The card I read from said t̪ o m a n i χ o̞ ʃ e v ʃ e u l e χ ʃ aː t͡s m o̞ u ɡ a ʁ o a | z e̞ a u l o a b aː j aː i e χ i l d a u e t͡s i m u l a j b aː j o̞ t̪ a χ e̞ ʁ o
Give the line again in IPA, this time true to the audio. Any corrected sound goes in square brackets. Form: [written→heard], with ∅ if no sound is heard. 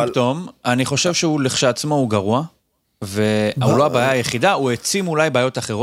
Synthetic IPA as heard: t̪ o m a n i χ o̞ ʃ e v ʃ e u l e χ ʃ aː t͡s m o̞ u ɡ a ʁ [o→u] a | [z→v] e̞ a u l o a b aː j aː [i→j] e χ i [l→∅] d a u e t͡s i m u l a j b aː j o̞ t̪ a χ e̞ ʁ o